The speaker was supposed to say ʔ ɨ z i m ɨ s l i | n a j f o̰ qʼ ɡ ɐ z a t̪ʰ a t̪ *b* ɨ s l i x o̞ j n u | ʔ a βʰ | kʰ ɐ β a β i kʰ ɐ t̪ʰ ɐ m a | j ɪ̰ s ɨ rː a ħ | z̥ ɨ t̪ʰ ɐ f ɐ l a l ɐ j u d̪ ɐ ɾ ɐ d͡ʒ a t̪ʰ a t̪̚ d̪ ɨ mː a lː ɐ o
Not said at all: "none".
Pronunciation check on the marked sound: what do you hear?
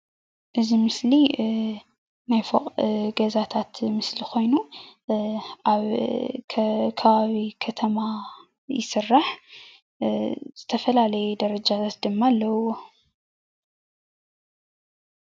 m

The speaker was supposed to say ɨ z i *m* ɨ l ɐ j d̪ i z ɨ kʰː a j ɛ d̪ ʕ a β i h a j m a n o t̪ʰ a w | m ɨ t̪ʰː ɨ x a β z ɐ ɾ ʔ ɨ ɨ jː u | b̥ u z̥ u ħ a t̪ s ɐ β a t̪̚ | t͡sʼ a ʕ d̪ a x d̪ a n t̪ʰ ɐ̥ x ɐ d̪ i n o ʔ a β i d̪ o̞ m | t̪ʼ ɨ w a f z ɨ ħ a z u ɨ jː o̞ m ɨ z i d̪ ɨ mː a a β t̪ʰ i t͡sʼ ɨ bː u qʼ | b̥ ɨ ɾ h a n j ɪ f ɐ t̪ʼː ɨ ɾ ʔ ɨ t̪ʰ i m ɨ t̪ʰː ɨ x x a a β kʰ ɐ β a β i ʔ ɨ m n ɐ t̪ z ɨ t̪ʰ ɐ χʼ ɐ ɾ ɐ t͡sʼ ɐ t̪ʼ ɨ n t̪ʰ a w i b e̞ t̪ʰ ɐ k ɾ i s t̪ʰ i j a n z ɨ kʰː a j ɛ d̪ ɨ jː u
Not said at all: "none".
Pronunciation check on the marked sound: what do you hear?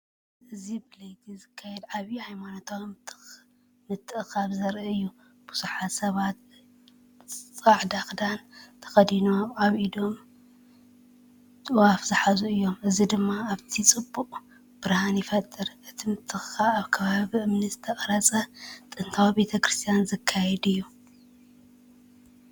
b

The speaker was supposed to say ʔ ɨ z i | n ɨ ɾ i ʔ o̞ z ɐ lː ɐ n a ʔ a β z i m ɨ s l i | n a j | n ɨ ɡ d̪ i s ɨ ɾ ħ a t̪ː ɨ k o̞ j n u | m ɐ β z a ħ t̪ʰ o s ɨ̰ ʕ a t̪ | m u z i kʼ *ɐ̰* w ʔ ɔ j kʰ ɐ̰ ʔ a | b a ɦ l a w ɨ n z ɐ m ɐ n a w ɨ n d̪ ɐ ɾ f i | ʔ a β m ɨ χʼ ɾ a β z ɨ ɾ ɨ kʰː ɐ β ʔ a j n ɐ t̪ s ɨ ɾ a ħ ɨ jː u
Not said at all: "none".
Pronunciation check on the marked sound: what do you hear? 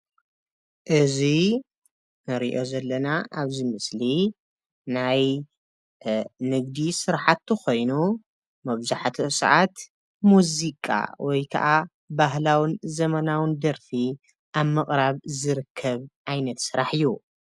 a̰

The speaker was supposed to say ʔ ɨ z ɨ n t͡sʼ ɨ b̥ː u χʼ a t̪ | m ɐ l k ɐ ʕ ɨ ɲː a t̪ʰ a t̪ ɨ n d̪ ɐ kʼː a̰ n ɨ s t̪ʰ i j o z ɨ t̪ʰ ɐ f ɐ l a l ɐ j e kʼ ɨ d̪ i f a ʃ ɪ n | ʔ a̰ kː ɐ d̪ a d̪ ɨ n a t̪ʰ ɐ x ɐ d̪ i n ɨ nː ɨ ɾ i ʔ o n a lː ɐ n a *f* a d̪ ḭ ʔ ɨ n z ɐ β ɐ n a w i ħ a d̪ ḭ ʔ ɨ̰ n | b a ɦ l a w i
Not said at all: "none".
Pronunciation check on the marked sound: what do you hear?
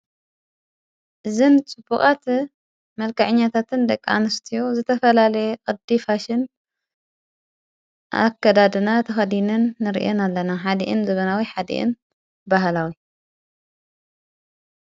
ħ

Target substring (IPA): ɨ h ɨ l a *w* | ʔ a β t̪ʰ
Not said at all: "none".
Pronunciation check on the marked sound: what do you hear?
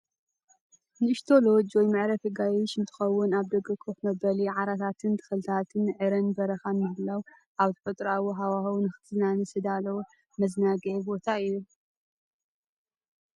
w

